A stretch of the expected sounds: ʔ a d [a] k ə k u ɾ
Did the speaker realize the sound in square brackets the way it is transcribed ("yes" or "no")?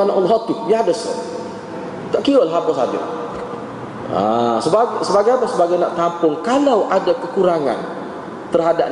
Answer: yes